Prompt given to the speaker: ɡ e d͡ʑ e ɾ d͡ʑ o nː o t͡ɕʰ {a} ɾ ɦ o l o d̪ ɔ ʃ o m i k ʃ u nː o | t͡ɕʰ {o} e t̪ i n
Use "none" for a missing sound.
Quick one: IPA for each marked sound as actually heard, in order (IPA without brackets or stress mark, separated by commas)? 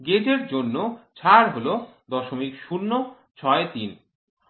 a, ɔ